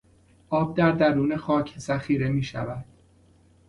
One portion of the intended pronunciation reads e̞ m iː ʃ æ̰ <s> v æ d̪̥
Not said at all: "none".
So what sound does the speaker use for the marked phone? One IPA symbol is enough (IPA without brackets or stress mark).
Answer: none